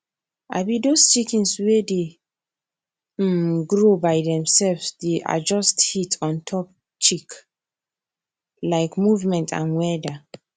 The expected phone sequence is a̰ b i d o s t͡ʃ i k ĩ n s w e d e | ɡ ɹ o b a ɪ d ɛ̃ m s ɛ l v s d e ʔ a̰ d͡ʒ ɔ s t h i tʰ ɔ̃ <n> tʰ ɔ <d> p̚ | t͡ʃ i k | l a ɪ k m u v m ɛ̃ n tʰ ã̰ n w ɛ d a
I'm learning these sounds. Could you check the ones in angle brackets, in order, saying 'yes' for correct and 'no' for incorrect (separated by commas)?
yes, no